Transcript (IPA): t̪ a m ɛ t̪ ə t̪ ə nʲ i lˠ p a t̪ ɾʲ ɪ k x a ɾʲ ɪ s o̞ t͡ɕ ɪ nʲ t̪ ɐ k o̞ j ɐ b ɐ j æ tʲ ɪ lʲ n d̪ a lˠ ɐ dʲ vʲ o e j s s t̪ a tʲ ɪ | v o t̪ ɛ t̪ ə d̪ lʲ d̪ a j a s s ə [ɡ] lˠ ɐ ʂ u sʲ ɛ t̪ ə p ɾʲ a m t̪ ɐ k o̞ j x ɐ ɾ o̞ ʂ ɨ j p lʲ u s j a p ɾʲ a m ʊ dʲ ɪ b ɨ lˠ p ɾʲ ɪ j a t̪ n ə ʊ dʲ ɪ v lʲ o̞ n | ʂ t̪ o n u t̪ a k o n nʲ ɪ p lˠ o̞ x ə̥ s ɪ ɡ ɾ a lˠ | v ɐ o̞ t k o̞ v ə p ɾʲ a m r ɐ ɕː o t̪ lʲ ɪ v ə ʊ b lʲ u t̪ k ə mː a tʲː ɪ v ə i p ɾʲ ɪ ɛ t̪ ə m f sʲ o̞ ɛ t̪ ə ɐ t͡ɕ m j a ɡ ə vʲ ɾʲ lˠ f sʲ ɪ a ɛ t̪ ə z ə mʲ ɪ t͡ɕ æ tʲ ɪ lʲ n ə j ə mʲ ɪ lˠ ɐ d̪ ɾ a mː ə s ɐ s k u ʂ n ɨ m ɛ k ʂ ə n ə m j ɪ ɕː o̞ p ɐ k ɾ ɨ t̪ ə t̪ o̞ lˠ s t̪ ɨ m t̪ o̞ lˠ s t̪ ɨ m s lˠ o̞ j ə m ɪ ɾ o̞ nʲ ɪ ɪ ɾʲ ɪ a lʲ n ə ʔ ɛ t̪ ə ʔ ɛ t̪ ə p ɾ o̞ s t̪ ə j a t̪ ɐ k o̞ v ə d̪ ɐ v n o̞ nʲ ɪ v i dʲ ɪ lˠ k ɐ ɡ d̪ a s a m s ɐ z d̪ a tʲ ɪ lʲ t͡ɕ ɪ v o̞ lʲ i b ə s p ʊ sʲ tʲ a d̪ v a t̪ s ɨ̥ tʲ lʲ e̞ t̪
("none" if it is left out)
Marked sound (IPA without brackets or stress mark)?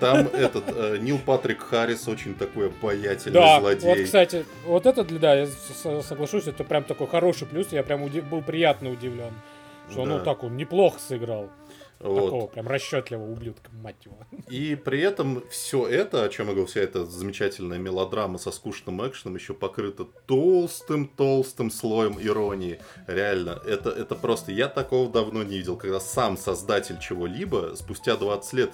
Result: ɡ